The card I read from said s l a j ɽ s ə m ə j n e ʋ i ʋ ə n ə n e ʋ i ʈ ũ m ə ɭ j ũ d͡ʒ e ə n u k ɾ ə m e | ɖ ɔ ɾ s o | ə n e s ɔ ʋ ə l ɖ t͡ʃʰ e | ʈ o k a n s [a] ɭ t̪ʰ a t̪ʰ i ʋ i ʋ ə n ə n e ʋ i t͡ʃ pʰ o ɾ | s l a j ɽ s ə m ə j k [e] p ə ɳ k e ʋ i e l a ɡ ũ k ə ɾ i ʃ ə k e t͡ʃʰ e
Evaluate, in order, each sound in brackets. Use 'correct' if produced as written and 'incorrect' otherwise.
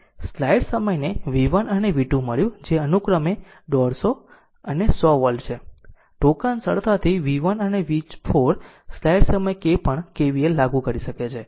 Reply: incorrect: ə, correct

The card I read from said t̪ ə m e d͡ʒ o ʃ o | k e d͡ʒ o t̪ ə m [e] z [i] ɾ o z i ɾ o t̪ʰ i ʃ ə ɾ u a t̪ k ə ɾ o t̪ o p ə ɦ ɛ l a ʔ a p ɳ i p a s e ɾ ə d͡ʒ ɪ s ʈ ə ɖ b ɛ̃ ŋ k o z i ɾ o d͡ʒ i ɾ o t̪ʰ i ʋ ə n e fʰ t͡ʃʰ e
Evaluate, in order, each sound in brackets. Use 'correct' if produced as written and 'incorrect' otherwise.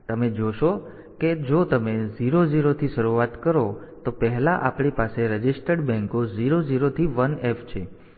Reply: correct, correct

